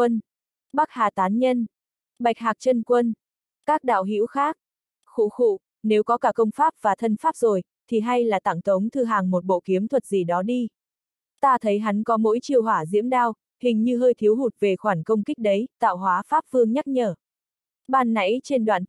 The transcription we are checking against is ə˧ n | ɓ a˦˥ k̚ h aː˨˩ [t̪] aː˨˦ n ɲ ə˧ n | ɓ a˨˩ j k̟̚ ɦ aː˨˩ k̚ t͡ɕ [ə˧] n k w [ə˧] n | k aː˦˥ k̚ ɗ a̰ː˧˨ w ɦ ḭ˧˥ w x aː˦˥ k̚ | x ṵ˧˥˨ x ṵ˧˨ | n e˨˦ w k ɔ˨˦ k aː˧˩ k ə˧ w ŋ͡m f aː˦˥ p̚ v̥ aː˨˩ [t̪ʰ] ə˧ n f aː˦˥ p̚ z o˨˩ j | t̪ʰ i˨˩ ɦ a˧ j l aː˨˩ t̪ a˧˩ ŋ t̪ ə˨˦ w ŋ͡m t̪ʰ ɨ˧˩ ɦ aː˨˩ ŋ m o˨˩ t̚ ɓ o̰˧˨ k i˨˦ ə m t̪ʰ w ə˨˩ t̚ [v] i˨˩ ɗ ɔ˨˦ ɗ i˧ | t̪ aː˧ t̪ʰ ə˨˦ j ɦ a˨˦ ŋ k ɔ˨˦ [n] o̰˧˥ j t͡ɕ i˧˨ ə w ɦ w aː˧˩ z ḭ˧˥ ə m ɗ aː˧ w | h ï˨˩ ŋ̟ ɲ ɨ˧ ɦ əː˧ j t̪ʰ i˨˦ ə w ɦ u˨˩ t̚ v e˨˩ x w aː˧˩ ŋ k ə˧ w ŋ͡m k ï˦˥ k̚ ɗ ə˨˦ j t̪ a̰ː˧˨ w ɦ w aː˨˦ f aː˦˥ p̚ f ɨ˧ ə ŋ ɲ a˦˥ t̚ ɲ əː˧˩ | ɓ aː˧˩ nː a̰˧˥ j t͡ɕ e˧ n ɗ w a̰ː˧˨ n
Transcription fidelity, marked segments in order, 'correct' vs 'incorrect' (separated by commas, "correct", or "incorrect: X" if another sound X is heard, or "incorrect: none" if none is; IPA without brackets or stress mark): correct, correct, correct, correct, incorrect: z, incorrect: m